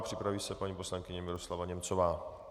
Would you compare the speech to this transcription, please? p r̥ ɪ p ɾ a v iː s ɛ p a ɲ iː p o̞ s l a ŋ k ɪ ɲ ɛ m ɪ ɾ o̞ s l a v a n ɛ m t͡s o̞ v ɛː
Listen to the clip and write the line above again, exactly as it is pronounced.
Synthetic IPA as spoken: p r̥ ɪ p ɾ a v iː s ɛ p a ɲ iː p o̞ s l a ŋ k ɪ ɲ ɛ m ɪ ɾ o̞ s l a v a ɲ ɛ m t͡s o̞ v aː